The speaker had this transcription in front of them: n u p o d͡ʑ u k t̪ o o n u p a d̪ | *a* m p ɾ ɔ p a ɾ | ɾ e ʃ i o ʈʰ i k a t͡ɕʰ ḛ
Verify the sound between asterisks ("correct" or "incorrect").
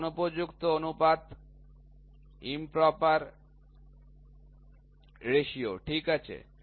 incorrect